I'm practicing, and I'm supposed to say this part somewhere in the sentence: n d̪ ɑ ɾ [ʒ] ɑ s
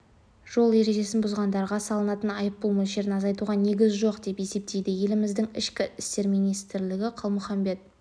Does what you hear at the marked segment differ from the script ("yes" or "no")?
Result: yes